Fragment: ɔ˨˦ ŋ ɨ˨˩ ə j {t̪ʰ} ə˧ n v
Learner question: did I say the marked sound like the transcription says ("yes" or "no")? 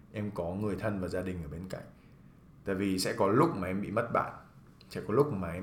yes